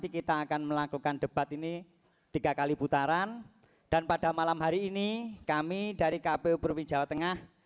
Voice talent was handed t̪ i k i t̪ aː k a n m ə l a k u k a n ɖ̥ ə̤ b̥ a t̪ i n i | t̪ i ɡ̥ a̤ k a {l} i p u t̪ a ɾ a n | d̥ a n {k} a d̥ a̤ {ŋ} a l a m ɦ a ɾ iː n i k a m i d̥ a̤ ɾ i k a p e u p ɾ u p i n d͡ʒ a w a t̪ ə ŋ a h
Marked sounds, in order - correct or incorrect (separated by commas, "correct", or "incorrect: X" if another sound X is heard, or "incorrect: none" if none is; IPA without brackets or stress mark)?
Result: correct, incorrect: p, incorrect: m